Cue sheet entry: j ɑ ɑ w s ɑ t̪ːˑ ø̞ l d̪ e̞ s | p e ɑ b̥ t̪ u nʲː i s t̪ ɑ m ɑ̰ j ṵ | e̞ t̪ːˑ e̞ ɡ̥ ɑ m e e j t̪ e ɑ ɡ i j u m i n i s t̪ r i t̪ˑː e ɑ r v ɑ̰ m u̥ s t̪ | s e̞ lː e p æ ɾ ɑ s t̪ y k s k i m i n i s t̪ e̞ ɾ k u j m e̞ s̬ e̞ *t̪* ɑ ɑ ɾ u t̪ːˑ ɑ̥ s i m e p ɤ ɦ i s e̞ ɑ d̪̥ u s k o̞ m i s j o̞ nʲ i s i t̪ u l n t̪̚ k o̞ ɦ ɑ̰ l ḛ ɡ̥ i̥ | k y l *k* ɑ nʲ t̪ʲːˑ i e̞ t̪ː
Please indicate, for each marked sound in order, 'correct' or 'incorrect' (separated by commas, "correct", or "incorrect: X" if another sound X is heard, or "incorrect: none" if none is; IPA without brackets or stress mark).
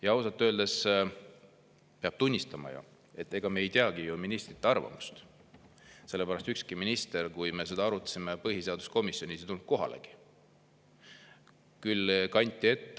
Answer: incorrect: d̪, correct